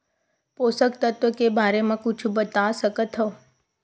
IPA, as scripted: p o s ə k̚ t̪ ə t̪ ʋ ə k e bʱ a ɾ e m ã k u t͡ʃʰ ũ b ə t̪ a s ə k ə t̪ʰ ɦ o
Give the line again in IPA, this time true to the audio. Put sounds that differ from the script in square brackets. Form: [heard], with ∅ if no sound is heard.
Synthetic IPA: p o s ə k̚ t̪ ə t̪ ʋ ə k e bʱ a ɾ e m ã k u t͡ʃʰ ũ b ə t̪ a s ə k ə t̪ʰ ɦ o